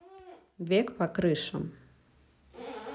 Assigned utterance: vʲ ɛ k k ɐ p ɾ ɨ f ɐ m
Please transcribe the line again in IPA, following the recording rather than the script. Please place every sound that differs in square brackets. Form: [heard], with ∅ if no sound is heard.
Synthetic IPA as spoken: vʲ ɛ k [p] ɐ [k] ɾ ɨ [ʂ] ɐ m